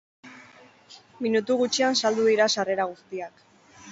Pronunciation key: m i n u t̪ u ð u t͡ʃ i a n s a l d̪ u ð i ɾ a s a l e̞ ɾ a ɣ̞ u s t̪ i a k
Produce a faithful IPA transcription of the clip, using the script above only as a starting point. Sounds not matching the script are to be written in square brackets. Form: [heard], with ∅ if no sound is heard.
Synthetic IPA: m i n u t̪ u [ɣ] u t͡ʃ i a n s a l d̪ u ð i ɾ a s a [r] e̞ ɾ a ɣ̞ u s t̪ i a k